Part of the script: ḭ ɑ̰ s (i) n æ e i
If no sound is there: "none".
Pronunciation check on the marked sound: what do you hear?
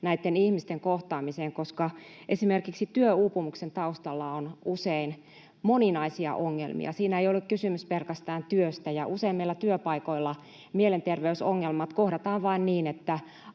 iː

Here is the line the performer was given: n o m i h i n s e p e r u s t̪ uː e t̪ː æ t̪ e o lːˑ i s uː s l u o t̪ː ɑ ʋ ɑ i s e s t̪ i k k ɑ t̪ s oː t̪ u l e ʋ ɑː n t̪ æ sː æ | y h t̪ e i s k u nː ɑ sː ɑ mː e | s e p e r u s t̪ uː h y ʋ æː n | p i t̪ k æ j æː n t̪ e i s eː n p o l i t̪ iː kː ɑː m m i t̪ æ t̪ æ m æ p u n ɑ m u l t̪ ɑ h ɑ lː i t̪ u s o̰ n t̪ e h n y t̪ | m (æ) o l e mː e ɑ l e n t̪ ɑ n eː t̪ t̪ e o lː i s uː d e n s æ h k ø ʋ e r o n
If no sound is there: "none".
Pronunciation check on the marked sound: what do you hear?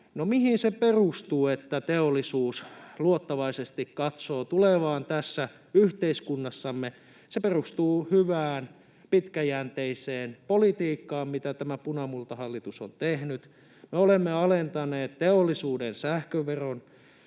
e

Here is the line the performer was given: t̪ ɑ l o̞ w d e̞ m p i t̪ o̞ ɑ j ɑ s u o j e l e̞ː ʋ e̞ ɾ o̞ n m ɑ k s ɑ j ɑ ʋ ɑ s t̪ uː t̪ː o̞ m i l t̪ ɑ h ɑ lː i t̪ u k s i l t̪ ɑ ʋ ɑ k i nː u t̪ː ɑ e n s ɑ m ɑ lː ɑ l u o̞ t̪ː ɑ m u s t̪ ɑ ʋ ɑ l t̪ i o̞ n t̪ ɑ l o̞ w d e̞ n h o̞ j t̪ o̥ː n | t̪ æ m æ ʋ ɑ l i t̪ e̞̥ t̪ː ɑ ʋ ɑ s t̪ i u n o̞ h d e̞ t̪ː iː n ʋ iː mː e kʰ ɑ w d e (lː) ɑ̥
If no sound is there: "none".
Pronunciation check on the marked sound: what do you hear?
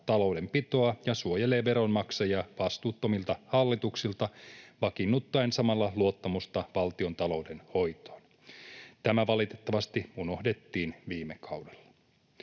lː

